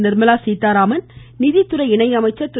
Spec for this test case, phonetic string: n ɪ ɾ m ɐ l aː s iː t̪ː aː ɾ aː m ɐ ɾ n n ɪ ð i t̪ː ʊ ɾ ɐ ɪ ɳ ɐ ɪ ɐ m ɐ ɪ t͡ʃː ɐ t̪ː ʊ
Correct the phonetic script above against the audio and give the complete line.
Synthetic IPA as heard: n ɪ ɾ m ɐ l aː s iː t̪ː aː ɾ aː m ɐ n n ɪ ð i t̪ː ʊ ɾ ɐ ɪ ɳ ɐ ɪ ɐ m ɐ ɪ t͡ʃː ɐ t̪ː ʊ